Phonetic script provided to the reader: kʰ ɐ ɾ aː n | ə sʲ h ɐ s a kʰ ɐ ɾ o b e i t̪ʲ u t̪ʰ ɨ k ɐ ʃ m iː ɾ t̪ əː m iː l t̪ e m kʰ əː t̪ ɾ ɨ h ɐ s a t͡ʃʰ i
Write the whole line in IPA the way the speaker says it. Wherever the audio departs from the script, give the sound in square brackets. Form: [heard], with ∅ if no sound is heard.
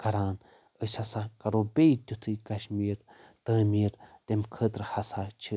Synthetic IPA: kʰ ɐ ɾ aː n | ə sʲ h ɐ s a [k] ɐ ɾ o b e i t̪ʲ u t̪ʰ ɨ k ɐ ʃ m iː ɾ t̪ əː m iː [ɾ] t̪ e m kʰ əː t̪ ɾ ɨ h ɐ s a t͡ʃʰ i